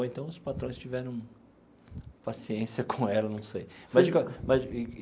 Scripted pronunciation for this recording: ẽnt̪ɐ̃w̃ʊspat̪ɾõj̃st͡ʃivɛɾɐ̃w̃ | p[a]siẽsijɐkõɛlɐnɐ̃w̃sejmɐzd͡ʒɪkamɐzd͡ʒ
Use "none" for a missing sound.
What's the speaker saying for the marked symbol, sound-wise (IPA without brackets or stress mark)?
a